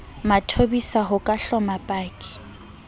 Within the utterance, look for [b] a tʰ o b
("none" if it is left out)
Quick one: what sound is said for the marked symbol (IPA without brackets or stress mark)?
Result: m